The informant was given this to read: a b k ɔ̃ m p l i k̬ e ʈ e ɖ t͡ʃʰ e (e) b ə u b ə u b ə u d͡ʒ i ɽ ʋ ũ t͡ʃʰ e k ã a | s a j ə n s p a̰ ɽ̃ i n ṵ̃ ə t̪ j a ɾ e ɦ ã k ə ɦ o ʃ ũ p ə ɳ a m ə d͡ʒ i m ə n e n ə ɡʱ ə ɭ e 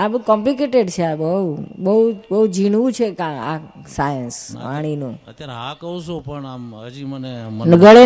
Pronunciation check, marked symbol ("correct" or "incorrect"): incorrect